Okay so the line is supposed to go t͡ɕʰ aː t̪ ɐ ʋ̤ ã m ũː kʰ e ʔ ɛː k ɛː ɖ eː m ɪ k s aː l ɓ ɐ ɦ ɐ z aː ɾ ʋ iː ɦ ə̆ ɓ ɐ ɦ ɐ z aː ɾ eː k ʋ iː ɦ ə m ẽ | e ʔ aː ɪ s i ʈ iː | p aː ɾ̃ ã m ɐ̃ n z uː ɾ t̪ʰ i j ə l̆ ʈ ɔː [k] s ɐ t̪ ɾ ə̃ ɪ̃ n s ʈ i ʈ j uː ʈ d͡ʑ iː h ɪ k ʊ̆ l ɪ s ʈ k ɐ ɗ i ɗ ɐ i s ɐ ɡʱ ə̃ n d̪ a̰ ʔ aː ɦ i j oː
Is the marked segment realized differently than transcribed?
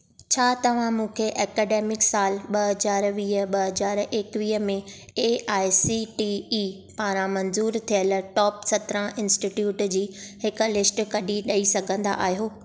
yes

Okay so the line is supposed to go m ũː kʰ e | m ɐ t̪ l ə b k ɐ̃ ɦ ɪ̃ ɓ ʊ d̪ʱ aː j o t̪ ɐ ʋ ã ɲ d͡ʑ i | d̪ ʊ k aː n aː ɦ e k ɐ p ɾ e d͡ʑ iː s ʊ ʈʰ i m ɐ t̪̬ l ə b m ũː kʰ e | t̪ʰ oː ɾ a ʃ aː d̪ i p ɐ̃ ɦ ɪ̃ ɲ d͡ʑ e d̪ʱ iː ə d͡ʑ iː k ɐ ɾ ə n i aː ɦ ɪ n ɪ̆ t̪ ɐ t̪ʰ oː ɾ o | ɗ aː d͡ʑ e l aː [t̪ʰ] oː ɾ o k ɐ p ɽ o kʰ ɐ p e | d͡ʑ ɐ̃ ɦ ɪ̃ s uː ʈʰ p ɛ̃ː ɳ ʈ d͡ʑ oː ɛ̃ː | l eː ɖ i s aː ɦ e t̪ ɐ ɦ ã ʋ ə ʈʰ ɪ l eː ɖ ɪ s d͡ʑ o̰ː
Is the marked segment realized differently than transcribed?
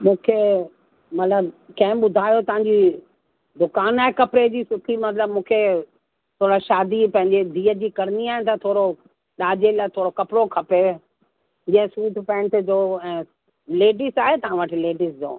no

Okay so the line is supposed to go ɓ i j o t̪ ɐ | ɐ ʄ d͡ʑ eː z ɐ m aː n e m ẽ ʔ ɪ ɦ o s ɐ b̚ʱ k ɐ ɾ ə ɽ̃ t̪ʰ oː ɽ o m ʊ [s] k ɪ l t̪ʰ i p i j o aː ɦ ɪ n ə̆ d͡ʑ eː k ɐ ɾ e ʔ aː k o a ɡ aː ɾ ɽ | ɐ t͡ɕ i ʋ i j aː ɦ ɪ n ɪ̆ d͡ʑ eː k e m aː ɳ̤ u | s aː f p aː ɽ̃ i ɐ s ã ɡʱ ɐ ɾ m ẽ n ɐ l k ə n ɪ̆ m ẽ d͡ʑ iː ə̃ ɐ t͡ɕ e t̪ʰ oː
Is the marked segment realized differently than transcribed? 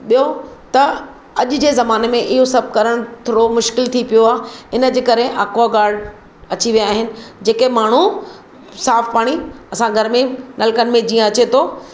yes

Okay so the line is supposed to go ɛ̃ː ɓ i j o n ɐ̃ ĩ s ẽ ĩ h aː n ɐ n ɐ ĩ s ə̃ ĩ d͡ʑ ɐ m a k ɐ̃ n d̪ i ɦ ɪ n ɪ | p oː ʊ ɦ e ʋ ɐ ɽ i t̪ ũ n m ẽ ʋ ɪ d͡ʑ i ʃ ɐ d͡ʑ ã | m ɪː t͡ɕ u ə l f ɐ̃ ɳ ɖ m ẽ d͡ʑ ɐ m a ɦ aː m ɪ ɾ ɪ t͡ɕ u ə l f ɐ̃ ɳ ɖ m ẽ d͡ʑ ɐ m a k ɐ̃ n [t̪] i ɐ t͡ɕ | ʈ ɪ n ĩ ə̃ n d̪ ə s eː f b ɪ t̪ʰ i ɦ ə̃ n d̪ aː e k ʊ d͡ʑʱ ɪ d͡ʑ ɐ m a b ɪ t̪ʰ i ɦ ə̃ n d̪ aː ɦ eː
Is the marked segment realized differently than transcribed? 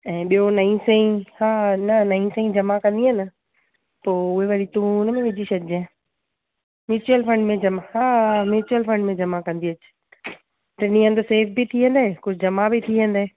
yes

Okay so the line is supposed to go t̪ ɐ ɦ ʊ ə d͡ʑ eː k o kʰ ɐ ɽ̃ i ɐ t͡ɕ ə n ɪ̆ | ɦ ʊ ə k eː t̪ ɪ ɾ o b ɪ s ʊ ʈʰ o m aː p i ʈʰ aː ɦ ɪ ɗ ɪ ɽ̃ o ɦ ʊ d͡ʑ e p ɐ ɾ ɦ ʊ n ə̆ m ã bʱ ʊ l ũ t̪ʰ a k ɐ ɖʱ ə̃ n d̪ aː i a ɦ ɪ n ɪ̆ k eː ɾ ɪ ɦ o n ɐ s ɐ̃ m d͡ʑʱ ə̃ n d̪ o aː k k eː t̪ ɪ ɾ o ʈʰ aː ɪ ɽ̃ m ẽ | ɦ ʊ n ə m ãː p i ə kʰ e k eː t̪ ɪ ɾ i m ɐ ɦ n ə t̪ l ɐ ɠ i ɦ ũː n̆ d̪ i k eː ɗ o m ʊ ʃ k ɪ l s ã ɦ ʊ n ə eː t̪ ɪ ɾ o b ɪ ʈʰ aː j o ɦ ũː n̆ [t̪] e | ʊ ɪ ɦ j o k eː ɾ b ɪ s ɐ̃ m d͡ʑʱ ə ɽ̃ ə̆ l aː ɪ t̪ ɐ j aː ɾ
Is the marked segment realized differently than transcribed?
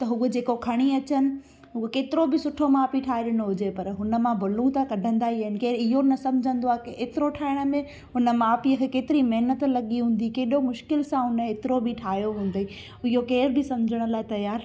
yes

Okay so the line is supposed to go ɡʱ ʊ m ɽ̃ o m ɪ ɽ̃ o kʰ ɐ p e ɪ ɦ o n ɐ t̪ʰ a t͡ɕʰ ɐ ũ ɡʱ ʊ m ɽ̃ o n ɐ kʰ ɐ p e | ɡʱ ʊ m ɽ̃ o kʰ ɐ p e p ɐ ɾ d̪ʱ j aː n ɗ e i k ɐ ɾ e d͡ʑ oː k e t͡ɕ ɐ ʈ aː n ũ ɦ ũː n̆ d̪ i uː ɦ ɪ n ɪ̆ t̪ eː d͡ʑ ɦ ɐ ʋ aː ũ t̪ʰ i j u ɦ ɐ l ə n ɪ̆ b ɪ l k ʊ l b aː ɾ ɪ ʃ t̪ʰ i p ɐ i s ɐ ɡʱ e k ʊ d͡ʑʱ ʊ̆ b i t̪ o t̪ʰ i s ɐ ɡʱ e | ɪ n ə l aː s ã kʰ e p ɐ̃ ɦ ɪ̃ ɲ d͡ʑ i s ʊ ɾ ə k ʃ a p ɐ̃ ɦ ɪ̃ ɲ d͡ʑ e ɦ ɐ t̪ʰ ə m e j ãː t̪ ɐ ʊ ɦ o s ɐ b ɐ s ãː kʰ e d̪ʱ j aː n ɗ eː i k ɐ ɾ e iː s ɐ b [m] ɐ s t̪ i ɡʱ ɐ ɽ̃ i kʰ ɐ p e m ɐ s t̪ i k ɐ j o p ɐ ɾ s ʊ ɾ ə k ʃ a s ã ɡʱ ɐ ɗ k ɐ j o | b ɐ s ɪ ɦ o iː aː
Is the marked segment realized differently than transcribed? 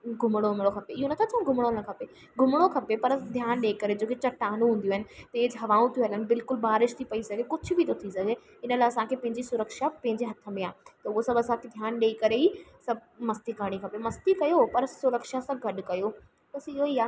no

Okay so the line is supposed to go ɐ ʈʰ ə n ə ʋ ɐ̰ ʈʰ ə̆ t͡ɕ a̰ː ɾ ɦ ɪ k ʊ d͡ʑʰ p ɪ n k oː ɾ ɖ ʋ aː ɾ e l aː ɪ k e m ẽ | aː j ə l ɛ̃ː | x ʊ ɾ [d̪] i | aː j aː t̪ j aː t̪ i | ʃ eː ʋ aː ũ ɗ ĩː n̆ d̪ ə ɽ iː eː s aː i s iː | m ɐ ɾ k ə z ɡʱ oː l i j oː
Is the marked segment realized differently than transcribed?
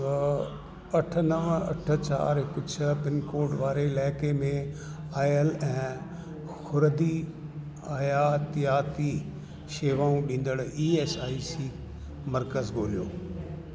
no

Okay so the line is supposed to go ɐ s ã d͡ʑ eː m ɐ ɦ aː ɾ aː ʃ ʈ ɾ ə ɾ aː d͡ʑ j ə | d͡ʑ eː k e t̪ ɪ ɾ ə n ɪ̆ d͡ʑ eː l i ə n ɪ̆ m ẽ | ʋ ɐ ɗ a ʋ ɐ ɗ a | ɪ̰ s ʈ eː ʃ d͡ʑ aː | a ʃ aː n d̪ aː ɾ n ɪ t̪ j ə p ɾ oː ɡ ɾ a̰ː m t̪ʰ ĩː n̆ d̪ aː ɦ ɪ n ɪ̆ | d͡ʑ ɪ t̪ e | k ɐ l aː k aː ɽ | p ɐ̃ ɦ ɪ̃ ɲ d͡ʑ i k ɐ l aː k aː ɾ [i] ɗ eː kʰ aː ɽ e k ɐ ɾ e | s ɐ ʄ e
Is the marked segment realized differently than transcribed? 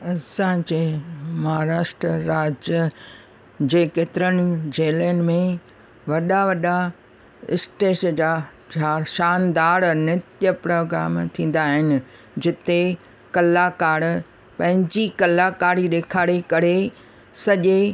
no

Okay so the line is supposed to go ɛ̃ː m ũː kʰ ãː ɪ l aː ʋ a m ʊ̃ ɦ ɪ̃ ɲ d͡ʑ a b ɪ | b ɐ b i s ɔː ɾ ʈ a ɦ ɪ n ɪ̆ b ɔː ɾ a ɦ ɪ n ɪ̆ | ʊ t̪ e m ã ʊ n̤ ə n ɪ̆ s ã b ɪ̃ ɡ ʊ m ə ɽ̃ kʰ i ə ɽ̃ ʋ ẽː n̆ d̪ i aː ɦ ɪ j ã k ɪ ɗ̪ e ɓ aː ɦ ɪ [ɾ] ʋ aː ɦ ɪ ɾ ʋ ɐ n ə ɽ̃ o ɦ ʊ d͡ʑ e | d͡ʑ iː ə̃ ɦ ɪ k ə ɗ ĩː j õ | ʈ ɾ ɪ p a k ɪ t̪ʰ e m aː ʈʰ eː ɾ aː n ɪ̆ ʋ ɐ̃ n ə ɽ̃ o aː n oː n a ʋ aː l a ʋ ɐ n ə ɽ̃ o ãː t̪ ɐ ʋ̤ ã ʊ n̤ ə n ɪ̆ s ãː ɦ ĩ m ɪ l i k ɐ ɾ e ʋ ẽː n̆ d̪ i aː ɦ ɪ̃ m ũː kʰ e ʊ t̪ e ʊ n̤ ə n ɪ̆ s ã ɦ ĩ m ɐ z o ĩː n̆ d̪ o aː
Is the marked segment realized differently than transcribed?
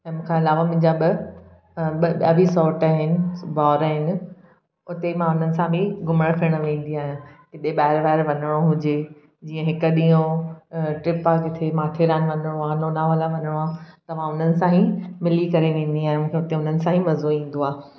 no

